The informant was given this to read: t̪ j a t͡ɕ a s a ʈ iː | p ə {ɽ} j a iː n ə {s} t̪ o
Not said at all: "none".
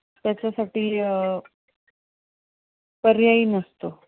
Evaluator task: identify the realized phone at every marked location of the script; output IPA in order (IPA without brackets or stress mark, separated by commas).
ɾ, s